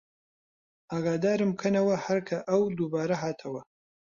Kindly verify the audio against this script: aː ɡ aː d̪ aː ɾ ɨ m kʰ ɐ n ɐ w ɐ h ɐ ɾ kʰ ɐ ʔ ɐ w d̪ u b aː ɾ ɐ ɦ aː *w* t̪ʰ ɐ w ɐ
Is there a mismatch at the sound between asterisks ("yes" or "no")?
yes